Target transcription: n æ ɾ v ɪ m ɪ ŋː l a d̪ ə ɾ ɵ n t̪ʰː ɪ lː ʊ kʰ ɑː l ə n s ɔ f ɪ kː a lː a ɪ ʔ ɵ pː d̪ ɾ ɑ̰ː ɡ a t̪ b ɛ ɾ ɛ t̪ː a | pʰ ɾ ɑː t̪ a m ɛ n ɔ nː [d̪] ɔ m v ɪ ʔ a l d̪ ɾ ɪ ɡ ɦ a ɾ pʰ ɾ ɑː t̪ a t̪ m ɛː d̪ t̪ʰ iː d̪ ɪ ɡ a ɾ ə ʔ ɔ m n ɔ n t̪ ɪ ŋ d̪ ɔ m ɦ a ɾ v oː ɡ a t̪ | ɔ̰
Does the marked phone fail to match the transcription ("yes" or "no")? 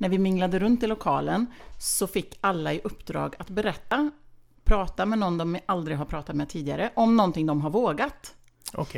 no